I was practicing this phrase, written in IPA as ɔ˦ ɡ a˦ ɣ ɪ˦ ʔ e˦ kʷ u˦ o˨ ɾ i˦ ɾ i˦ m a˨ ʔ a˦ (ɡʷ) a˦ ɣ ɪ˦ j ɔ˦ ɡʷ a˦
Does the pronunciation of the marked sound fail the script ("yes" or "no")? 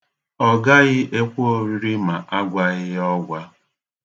no